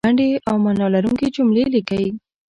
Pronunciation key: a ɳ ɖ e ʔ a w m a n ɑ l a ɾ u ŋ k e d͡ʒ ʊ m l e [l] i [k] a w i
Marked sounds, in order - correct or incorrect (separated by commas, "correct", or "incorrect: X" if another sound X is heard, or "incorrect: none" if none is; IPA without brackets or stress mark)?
correct, correct